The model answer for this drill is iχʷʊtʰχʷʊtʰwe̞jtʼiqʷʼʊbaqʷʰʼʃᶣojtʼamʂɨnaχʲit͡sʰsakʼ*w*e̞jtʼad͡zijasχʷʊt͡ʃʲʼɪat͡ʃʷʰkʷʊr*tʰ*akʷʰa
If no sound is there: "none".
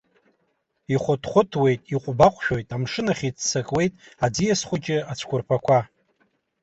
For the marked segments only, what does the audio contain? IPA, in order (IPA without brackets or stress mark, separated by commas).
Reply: w, pʰ